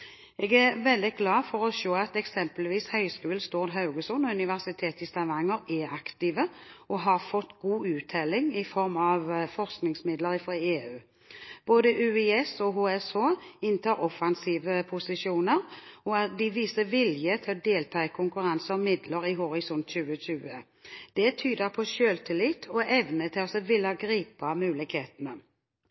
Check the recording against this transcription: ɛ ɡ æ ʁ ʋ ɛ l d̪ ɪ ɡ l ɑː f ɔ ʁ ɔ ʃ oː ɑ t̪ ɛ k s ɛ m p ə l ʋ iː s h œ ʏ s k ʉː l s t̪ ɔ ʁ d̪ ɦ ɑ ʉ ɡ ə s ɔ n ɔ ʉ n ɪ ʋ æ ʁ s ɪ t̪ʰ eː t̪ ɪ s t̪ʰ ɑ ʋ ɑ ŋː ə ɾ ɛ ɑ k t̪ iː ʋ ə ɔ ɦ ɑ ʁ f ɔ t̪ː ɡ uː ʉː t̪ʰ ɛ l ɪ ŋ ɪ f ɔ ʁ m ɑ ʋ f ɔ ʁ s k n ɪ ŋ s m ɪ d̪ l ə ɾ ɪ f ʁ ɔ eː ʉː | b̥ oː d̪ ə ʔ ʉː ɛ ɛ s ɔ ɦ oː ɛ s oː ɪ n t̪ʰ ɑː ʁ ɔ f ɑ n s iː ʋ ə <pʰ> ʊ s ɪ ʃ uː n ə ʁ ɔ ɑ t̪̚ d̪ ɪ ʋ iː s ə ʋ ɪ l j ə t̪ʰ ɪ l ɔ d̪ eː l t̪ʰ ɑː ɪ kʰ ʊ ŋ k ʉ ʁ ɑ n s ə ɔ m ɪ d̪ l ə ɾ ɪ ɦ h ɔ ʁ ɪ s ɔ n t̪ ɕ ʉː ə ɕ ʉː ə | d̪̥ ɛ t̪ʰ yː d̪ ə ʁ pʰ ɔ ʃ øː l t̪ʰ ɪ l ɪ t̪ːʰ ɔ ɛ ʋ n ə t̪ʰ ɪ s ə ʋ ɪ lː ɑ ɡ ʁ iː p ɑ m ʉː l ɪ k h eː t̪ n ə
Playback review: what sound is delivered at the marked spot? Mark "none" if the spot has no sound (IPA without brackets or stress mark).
pʰ